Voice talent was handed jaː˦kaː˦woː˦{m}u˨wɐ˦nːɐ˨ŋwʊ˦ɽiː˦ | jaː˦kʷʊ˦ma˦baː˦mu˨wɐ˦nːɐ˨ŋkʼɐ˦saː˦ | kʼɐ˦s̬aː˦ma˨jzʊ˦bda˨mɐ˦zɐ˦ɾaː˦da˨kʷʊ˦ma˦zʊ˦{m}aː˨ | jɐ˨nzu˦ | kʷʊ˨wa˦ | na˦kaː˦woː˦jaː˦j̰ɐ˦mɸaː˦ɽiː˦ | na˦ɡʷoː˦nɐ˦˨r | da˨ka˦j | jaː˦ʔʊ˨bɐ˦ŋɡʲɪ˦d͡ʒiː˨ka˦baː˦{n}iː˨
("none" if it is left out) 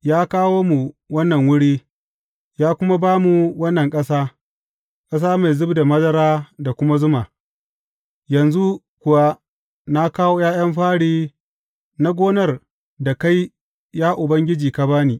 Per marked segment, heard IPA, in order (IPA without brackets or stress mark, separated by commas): m, m, n